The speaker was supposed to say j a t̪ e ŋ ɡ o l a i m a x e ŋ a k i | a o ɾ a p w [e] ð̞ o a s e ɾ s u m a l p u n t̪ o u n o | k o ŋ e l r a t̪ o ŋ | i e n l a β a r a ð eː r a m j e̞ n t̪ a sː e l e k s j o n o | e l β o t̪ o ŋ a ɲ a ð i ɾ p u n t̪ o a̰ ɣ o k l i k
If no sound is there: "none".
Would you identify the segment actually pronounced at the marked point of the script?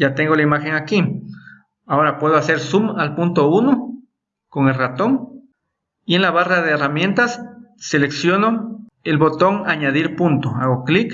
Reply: e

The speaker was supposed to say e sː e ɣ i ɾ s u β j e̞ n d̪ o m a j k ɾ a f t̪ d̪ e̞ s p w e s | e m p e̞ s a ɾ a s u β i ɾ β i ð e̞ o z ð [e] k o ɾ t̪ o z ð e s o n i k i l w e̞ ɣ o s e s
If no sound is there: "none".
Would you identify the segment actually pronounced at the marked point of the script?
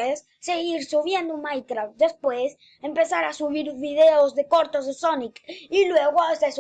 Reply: e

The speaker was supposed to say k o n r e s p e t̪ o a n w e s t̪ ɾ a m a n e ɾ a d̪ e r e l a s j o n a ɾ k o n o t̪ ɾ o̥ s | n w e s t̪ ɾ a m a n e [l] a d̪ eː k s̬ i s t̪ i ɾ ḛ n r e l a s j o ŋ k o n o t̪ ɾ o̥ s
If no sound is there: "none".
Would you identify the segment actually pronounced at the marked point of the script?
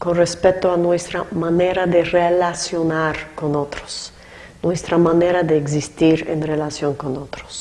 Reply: ɾ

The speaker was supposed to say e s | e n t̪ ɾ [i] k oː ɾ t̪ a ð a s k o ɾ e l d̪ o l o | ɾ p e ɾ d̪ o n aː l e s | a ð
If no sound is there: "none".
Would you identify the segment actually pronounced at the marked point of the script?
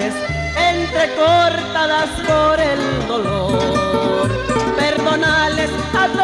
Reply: e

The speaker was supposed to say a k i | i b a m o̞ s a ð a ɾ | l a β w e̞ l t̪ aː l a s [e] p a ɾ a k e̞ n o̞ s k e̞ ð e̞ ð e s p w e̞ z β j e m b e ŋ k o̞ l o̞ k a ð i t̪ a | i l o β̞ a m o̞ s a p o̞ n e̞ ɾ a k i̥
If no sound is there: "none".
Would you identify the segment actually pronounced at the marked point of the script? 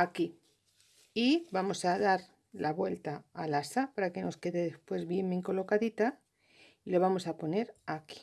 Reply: a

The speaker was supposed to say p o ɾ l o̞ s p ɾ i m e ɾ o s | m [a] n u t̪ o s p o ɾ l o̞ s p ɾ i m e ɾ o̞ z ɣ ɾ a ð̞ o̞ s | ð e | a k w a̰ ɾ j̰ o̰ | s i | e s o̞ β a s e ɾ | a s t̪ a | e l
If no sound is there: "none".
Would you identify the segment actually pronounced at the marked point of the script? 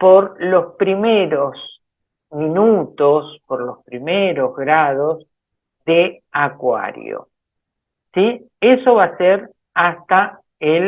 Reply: i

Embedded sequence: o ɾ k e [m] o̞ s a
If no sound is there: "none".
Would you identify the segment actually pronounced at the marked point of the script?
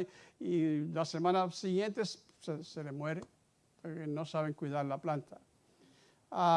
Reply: n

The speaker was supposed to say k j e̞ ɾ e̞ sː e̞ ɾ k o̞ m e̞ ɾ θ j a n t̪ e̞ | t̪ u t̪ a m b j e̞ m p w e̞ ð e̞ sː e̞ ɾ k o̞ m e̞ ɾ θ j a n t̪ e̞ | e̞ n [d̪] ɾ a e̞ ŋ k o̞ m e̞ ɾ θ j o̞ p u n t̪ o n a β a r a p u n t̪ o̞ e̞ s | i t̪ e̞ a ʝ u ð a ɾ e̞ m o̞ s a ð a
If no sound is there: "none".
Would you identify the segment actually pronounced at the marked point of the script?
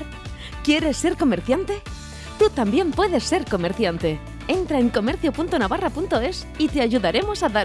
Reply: t̪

